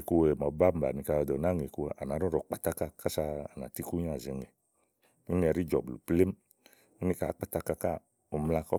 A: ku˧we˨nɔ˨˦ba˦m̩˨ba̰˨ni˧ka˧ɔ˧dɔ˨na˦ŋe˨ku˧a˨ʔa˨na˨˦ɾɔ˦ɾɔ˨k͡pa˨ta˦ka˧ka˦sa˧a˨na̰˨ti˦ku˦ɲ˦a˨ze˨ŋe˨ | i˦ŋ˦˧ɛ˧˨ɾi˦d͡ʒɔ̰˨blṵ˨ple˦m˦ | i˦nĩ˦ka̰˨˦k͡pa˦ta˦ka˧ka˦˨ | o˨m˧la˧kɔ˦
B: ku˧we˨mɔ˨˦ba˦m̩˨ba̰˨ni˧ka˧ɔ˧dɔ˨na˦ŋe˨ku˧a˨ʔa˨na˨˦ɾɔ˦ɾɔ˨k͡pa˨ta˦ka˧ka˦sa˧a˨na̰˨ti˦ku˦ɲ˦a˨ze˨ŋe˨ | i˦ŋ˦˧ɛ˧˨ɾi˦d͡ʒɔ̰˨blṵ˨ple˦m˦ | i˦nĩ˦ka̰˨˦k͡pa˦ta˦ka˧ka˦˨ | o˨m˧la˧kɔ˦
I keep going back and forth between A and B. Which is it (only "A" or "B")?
B